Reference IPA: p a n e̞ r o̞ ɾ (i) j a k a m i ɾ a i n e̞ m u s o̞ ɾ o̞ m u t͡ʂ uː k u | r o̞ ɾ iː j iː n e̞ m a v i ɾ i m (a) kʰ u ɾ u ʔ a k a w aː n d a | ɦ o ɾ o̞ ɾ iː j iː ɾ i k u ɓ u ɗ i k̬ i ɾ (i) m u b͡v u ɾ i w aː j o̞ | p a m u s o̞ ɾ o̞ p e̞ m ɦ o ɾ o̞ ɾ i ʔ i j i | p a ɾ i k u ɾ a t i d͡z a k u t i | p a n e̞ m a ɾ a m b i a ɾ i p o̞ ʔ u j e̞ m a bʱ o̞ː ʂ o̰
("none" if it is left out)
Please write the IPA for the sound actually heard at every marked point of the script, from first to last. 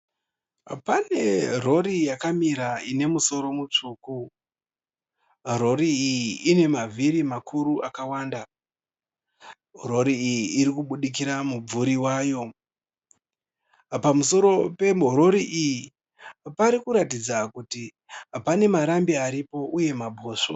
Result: i, a, a

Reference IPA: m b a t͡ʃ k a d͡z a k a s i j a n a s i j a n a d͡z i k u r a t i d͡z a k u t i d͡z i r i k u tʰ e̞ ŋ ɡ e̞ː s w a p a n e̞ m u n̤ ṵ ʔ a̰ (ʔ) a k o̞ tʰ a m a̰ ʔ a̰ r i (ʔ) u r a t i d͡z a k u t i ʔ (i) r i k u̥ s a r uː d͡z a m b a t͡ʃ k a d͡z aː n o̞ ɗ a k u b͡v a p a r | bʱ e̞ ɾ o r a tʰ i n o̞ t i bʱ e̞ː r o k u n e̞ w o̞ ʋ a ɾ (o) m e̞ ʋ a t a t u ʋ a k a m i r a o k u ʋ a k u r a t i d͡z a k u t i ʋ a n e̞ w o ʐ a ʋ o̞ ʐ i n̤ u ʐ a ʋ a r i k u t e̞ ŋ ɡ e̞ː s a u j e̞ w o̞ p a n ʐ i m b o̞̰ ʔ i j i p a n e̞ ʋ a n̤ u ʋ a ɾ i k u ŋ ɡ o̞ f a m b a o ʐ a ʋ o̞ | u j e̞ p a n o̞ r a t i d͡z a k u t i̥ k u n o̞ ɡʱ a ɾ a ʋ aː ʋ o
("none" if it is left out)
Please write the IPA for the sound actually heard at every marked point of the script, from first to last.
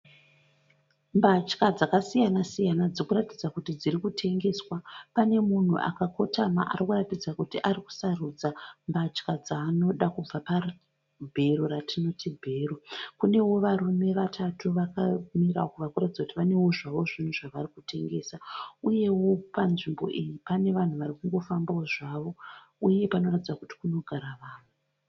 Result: k, k, a, u

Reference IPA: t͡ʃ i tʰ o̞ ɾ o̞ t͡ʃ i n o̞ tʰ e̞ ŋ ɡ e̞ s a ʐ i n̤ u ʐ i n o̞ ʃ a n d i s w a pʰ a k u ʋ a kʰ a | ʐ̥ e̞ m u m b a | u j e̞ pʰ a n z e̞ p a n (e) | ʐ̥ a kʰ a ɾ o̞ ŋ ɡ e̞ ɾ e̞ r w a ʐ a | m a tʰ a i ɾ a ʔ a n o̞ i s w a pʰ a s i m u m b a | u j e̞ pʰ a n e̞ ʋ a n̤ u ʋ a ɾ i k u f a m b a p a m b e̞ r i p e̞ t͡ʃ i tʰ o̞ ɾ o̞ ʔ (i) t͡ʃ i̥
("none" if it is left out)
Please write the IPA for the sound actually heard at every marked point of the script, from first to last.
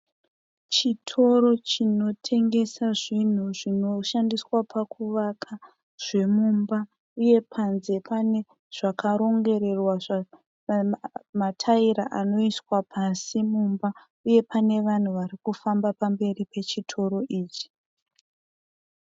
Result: e, iː

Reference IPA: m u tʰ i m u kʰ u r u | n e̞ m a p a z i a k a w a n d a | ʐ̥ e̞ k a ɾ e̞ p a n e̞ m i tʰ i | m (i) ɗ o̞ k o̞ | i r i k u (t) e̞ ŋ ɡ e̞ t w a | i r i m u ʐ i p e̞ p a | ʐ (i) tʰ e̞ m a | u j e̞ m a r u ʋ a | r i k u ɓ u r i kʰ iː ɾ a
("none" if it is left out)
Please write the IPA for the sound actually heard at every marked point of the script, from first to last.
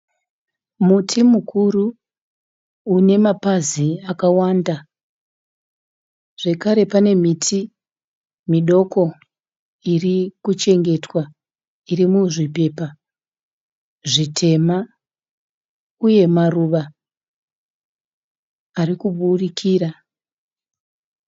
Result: i, t͡ʃ, i

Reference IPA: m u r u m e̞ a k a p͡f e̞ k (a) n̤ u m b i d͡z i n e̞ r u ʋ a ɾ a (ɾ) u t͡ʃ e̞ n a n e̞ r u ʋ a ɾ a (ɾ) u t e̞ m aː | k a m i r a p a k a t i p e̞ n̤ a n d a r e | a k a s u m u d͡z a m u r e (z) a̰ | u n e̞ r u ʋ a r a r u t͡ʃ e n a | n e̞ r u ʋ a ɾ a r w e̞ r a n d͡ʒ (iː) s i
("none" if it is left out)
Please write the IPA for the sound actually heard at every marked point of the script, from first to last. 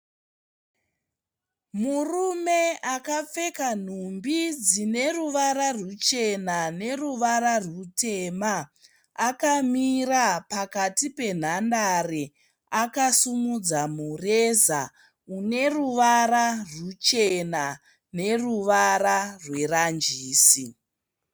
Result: a, r, r, z, iː

